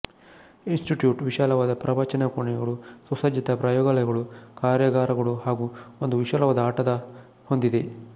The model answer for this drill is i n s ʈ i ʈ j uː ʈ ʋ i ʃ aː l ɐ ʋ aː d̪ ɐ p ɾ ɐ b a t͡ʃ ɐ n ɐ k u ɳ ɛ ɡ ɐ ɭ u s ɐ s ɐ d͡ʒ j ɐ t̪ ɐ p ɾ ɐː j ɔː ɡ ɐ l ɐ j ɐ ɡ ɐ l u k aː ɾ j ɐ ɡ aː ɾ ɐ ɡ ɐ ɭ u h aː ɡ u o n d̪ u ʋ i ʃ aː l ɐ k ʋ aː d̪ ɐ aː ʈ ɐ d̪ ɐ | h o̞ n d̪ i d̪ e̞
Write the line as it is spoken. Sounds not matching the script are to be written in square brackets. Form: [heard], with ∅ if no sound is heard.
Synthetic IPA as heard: i n s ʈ i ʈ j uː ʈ ʋ i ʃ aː l ɐ ʋ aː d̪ ɐ p ɾ ɐ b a t͡ʃ ɐ n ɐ k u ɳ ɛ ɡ ɐ ɭ u s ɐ s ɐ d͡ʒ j ɐ t̪ ɐ p ɾ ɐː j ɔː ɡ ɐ l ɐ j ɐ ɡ ɐ [ɭ] u k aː ɾ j ɐ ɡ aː ɾ ɐ ɡ ɐ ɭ u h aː ɡ u o n d̪ u ʋ i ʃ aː l ɐ [∅] ʋ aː d̪ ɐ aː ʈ ɐ d̪ ɐ | h o̞ n d̪ i d̪ e̞

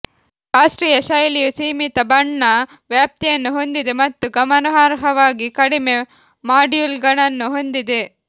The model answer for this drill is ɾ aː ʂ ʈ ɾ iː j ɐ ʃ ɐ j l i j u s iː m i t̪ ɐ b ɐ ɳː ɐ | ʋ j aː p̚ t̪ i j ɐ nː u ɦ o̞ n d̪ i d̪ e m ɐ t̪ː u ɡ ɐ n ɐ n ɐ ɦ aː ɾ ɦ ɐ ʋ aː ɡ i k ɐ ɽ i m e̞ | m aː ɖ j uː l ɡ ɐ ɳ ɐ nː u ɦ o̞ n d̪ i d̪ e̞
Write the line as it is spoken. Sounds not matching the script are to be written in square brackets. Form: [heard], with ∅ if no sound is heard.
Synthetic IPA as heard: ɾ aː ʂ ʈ ɾ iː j ɐ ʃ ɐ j l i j u s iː m i t̪ ɐ b ɐ ɳː ɐ | ʋ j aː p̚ t̪ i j ɐ nː u ɦ o̞ n d̪ i d̪ e m ɐ t̪ː u ɡ ɐ [m] ɐ n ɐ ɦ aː ɾ ɦ ɐ ʋ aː ɡ i k ɐ ɽ i m e̞ | m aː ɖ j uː l ɡ ɐ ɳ ɐ nː u ɦ o̞ n d̪ i d̪ e̞

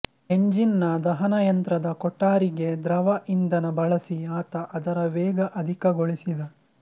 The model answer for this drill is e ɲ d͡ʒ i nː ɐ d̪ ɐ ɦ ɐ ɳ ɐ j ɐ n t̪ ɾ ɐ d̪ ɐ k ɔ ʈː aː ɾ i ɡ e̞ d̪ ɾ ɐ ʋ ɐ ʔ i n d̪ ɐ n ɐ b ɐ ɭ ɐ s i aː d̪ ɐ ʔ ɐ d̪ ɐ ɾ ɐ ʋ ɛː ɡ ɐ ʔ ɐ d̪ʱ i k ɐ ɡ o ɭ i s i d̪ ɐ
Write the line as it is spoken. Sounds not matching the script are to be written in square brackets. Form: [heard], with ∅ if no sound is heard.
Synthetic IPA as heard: e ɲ d͡ʒ i nː ɐ d̪ ɐ ɦ ɐ [n] ɐ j ɐ n t̪ ɾ ɐ d̪ ɐ k ɔ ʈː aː ɾ i ɡ e̞ d̪ ɾ ɐ ʋ ɐ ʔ i n d̪ ɐ n ɐ b ɐ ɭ ɐ s i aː [t̪] ɐ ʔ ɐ d̪ ɐ ɾ ɐ ʋ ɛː ɡ ɐ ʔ ɐ d̪ʱ i k ɐ ɡ o ɭ i s i d̪ ɐ

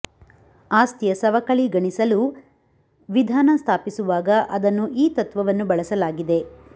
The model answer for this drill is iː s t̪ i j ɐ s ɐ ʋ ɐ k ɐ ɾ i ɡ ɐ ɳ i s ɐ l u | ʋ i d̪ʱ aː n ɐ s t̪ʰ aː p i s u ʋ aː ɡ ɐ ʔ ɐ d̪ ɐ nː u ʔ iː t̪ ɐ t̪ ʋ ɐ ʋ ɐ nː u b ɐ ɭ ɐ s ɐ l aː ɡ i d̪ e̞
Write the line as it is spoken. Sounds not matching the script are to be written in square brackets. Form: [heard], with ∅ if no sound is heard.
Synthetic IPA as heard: [aː] s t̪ i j ɐ s ɐ ʋ ɐ k ɐ [ɭ] i ɡ ɐ ɳ i s ɐ l u | ʋ i d̪ʱ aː n ɐ s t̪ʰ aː p i s u ʋ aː ɡ ɐ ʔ ɐ d̪ ɐ nː u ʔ iː t̪ ɐ t̪ ʋ ɐ ʋ ɐ nː u b ɐ ɭ ɐ s ɐ l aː ɡ i d̪ e̞

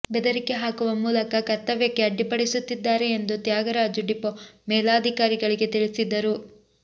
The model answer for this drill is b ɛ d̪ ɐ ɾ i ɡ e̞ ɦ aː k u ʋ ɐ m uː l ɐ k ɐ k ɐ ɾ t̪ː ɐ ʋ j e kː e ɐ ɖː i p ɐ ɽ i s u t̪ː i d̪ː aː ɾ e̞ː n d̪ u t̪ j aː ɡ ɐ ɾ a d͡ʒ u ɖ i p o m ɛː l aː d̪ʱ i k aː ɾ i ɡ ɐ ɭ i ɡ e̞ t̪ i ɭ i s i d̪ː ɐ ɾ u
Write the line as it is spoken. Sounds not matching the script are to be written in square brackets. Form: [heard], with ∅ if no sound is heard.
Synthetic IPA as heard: b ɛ d̪ ɐ ɾ i [k] e̞ ɦ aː k u ʋ ɐ m uː l ɐ k ɐ k ɐ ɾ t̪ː ɐ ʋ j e kː e ɐ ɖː i p ɐ ɽ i s u t̪ː i d̪ː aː ɾ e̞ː n d̪ u t̪ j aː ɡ ɐ ɾ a d͡ʒ u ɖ i p o m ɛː l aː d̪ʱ i k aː ɾ i ɡ ɐ ɭ i ɡ e̞ t̪ i ɭ i s i d̪ː ɐ ɾ u

